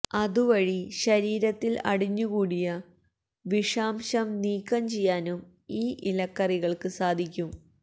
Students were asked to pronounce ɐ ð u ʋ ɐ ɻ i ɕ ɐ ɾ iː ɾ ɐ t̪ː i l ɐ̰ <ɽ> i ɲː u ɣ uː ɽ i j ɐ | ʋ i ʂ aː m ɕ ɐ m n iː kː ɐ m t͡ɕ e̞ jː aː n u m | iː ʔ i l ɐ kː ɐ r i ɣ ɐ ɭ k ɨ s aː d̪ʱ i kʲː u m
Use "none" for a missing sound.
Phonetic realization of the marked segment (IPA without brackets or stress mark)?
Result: ɽ